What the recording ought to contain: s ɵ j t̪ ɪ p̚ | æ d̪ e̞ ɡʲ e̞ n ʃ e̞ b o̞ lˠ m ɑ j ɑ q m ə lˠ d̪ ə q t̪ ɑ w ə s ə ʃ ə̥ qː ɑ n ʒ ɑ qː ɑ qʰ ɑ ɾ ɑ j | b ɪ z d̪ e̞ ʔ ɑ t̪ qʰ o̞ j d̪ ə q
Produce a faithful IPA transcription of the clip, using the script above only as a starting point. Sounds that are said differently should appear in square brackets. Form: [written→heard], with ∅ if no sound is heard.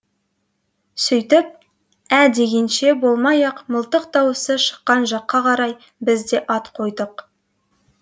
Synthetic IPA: s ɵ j t̪ ɪ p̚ | æ d̪ e̞ ɡʲ e̞ n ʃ e̞ b o̞ lˠ m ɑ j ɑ q m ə lˠ [d̪→t̪] ə q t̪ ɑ w ə s ə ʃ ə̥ qː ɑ n ʒ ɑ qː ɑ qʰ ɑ ɾ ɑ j | b ɪ z d̪ e̞ ʔ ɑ t̪ qʰ o̞ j d̪ ə q